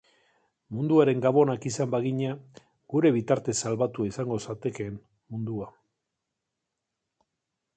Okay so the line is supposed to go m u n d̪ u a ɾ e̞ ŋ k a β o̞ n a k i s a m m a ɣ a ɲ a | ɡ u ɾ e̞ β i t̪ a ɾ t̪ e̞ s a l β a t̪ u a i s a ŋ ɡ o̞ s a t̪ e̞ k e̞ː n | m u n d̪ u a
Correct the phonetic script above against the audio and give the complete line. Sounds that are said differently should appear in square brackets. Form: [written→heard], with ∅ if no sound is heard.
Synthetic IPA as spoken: m u n d̪ u a ɾ e̞ ŋ [k→ɡ] a β o̞ n a k i s a m [m→b] a ɣ [a→i] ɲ a | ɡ u ɾ e̞ β i t̪ a ɾ t̪ e̞ s a l β a t̪ u a i s a ŋ ɡ o̞ s a t̪ e̞ k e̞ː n | m u n d̪ u a

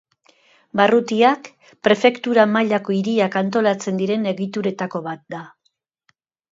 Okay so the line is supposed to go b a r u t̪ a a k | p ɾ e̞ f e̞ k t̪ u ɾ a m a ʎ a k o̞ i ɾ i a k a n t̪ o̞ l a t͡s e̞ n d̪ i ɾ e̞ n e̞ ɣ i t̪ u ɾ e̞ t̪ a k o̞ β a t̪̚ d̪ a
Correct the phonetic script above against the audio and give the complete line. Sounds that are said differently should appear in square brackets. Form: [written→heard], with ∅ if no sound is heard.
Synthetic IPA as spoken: b a r u t̪ [a→i] a k | p ɾ e̞ f e̞ k t̪ u ɾ a m a ʎ a k o̞ i ɾ i a k a n t̪ o̞ l a t͡s e̞ n d̪ i ɾ e̞ n e̞ ɣ i t̪ u ɾ e̞ t̪ a k o̞ β a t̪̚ d̪ a

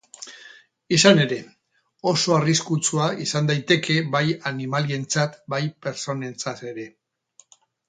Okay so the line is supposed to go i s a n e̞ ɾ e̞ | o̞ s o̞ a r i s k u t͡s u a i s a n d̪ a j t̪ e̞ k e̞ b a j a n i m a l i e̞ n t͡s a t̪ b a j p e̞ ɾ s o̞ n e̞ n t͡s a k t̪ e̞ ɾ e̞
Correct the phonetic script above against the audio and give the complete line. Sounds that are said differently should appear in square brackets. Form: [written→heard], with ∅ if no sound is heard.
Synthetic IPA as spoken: i s a n e̞ ɾ e̞ | o̞ s o̞ a r i s k u t͡s u a i s a n d̪ a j t̪ e̞ k e̞ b a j a n i m a l i e̞ n t͡s a t̪ b a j p e̞ ɾ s o̞ n e̞ n t͡s a [k→∅] t̪ e̞ ɾ e̞

